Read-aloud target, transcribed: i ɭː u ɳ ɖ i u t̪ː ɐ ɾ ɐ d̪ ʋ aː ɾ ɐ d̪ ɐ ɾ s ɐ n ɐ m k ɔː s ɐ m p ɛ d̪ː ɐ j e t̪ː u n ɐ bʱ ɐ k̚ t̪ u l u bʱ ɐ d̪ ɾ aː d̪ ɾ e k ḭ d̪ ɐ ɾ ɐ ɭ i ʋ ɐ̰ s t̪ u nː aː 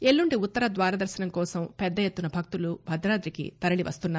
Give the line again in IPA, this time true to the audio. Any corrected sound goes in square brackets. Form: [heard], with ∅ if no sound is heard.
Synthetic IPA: [e] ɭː u ɳ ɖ i u t̪ː ɐ ɾ ɐ d̪ ʋ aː ɾ ɐ d̪ ɐ ɾ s ɐ n ɐ m k ɔː s ɐ m p ɛ d̪ː ɐ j e t̪ː u n ɐ bʱ ɐ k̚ t̪ u l u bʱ ɐ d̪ ɾ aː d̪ ɾ [i] k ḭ [t̪] ɐ ɾ ɐ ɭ i ʋ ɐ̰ s t̪ u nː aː